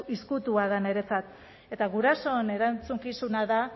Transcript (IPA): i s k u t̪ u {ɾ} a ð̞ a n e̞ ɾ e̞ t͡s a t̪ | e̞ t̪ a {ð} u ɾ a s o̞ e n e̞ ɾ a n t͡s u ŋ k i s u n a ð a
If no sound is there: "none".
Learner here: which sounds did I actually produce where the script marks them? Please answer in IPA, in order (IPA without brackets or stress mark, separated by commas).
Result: none, ɣ